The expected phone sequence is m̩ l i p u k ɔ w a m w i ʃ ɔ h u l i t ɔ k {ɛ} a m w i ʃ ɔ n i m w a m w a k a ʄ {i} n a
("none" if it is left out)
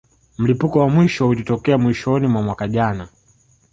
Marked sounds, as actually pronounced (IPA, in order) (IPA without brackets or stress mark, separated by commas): ɛ, a